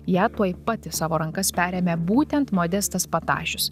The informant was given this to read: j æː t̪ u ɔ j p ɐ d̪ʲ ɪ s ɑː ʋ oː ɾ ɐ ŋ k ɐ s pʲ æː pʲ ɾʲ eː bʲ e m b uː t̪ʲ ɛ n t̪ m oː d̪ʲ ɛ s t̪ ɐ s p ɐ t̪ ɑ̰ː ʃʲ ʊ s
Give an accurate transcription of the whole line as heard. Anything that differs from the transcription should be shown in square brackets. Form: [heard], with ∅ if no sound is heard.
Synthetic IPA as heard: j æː t̪ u ɔ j p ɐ [t̪ʲ] ɪ s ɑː ʋ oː ɾ ɐ ŋ k ɐ s pʲ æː [∅] ɾʲ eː [mʲ] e [∅] b uː t̪ʲ ɛ n t̪ m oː d̪ʲ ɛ s t̪ ɐ s p ɐ t̪ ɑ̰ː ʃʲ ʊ s